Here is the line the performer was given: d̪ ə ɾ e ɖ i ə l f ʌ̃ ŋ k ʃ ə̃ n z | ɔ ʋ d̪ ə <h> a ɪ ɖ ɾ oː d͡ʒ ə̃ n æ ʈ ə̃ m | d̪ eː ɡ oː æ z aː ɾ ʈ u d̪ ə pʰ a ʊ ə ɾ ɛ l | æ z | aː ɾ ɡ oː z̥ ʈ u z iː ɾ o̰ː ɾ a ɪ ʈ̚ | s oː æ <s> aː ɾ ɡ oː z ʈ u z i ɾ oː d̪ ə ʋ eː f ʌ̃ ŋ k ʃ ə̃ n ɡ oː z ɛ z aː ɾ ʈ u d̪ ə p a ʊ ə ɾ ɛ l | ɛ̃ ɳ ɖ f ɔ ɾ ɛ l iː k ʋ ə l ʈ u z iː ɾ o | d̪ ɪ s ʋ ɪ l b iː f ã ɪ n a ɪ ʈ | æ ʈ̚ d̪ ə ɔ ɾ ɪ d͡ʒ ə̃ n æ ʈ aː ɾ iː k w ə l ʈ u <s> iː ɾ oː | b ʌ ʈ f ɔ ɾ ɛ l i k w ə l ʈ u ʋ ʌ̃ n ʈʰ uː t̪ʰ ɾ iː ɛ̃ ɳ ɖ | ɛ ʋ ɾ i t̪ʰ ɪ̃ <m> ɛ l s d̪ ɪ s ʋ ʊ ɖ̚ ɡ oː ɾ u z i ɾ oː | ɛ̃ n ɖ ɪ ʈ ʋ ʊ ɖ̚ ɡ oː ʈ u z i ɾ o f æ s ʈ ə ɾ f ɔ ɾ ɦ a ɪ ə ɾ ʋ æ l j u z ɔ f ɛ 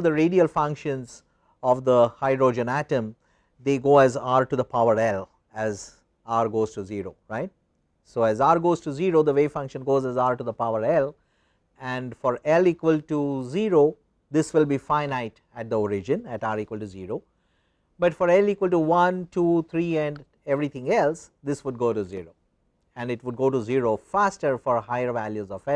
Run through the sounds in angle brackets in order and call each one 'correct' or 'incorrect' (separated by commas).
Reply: correct, incorrect, incorrect, incorrect